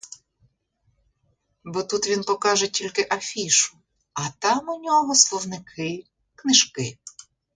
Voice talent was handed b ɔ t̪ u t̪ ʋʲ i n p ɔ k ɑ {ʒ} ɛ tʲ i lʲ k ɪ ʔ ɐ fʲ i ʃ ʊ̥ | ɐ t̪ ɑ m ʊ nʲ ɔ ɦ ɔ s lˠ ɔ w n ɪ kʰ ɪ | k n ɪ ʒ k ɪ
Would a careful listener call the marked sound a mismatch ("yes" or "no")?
no